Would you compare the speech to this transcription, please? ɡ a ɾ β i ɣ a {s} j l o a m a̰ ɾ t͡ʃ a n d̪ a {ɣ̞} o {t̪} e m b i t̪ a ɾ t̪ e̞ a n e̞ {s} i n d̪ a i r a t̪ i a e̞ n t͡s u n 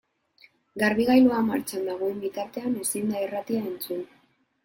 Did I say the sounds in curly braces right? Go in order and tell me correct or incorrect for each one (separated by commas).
incorrect, correct, incorrect, correct